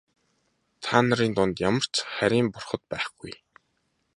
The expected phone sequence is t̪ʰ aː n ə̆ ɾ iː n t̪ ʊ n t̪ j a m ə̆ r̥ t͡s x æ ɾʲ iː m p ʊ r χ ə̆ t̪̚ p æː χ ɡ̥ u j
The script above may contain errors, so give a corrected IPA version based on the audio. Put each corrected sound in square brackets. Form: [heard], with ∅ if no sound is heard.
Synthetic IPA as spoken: t̪ʰ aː n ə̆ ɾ iː n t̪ ʊ n t̪ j a m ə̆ r̥ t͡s [χ] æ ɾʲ iː m p ʊ r χ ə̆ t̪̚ p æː χ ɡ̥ u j